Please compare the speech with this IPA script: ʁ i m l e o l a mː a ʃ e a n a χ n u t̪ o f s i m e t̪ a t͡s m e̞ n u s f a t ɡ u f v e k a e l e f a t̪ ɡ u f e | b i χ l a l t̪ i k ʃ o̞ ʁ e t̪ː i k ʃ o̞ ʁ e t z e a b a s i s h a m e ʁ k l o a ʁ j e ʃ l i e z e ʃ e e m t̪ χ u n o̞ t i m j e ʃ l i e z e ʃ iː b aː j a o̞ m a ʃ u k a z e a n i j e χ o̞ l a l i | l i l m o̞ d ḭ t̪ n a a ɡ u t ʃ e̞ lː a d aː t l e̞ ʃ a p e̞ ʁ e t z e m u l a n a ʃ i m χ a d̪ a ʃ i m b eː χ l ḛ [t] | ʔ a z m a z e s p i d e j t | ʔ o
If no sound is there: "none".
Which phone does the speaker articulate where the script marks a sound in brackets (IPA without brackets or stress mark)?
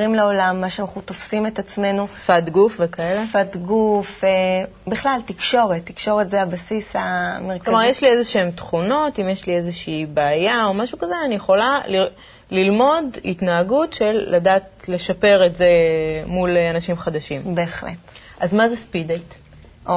t